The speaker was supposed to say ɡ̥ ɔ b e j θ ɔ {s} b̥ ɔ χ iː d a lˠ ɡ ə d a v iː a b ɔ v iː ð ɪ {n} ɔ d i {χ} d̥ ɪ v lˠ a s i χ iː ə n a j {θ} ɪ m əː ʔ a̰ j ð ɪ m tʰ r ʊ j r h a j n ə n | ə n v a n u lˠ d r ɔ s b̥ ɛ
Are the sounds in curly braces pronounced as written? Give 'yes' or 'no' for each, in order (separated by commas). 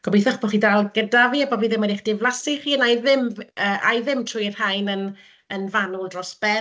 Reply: no, no, yes, no